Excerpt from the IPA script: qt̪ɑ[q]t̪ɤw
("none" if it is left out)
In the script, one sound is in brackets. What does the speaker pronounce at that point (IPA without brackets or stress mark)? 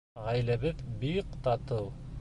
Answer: none